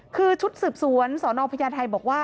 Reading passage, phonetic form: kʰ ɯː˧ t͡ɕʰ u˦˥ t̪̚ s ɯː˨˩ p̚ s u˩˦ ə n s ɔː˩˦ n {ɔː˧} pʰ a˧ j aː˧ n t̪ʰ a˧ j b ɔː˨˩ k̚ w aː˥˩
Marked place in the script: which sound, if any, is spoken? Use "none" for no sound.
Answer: ɔː˧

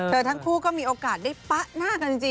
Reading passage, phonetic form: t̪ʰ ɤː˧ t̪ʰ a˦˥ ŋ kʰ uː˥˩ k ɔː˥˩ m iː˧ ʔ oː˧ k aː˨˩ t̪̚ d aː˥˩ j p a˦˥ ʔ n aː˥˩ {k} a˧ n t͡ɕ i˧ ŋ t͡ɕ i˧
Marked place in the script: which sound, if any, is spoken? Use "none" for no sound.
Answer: k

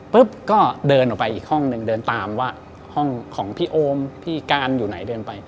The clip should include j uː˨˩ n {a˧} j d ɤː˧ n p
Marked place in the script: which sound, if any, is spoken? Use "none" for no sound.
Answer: a˩˦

